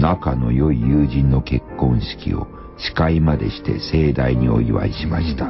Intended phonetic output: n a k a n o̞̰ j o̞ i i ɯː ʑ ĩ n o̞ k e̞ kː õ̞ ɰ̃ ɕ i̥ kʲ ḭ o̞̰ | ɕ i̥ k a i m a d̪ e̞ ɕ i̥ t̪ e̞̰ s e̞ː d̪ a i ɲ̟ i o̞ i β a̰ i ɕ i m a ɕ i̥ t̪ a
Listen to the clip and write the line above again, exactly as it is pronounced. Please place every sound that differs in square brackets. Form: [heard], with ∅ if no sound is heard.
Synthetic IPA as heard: n a k a n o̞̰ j o̞ i [j] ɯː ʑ ĩ [nː] o̞ k e̞ kː õ̞ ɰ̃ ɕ i̥ kʲ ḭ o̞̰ | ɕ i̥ k a i m a d̪ e̞ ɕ i̥ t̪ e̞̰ s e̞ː d̪ a i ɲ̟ i o̞ i β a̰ i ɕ i m a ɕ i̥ t̪ a

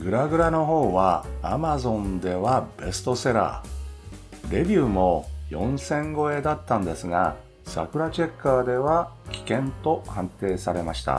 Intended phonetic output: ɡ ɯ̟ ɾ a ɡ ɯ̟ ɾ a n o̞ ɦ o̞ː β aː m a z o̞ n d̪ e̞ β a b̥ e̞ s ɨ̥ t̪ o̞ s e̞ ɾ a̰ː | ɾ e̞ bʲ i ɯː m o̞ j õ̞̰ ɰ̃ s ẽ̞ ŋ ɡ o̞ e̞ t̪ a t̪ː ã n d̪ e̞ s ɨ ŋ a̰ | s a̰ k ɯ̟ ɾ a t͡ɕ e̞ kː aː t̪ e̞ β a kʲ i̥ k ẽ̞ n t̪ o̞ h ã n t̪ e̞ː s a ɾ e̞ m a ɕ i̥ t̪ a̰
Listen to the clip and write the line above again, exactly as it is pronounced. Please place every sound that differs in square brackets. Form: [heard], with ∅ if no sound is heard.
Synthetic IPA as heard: ɡ ɯ̟ ɾ a ɡ ɯ̟ ɾ a n o̞ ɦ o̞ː β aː m a z [õ̞] n d̪ e̞ β a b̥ e̞ s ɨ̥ t̪ o̞ s e̞ ɾ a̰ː | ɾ e̞ bʲ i ɯː m o̞ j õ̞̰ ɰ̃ s ẽ̞ ŋ ɡ o̞ e̞ [d̪] a t̪ː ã n d̪ e̞ s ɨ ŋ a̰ | s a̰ k ɯ̟ ɾ a t͡ɕ e̞ kː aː [d̪] e̞ β a kʲ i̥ k ẽ̞ n t̪ o̞ h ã n t̪ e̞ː s a ɾ e̞ m a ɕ i̥ t̪ a̰

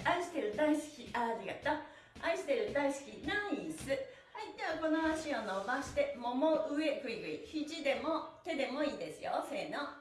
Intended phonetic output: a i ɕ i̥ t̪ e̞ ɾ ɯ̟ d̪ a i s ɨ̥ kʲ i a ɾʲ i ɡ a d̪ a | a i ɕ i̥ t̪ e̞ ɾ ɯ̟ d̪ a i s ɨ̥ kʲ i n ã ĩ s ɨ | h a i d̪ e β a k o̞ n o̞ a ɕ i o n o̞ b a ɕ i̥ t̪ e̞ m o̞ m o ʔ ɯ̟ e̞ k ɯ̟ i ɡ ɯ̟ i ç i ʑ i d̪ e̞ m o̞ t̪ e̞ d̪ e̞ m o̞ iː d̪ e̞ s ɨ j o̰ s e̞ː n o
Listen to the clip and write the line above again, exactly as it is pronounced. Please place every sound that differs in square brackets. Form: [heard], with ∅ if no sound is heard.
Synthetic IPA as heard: a i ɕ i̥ t̪ e̞ ɾ ɯ̟ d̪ a i s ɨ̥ kʲ i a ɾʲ i ɡ a [t̪] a | a i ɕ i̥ t̪ e̞ ɾ ɯ̟ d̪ a i s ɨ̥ kʲ i n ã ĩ s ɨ | h a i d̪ e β a k o̞ n o̞ a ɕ i o n o̞ b a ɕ i̥ t̪ e̞ m o̞ m o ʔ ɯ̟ e̞ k ɯ̟ i ɡ ɯ̟ i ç i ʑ i d̪ e̞ m o̞ t̪ e̞ d̪ e̞ m o̞ iː d̪ e̞ s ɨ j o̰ s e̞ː n o

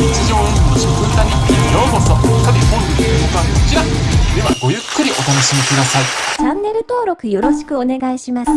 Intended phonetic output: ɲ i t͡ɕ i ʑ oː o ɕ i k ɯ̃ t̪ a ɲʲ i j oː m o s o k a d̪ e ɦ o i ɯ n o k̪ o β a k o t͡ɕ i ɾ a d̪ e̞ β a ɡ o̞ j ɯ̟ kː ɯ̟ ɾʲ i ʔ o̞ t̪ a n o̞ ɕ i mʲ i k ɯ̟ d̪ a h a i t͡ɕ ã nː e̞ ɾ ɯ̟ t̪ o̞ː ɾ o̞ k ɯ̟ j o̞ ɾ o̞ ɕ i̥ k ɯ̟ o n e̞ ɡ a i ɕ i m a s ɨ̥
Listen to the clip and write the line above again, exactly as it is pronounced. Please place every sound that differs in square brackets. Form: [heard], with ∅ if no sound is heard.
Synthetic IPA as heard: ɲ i t͡ɕ i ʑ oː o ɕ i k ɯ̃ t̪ a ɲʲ i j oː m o s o k a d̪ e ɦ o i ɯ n o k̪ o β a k o t͡ɕ i ɾ a d̪ e̞ β a ɡ o̞ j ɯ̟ kː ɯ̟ ɾʲ i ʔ o̞ t̪ a n o̞ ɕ i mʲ i k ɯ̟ d̪ a [s] a i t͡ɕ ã nː e̞ ɾ ɯ̟ t̪ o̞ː ɾ o̞ k ɯ̟ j o̞ ɾ o̞ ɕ i̥ k ɯ̟ o n e̞ ɡ a i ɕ i m a s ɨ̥

